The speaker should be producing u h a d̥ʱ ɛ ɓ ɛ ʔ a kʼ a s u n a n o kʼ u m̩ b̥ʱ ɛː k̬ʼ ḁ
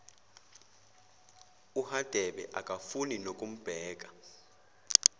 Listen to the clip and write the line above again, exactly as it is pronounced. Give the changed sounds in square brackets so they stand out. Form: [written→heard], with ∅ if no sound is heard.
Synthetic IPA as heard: u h a d̥ʱ ɛ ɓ ɛ ʔ a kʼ a [s→f] u n [a→i] n o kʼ u m̩ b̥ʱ ɛː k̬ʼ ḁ